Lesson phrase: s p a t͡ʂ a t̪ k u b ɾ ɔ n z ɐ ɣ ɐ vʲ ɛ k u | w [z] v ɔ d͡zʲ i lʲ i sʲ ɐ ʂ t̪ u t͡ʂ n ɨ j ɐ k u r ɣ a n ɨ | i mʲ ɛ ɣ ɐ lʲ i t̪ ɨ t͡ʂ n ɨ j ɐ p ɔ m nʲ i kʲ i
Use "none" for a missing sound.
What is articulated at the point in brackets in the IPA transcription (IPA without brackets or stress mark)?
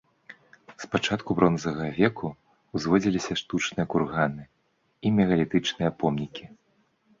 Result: z